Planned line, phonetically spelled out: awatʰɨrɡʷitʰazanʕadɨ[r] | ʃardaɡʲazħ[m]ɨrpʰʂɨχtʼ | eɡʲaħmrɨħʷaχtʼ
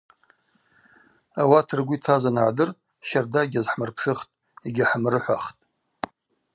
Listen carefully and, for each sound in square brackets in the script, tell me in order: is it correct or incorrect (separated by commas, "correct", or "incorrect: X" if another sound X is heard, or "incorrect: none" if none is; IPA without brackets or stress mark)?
correct, correct